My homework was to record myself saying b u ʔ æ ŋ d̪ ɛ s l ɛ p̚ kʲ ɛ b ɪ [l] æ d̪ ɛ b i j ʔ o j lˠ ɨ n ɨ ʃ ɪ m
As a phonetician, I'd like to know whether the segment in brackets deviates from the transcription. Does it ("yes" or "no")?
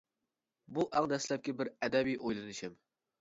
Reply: yes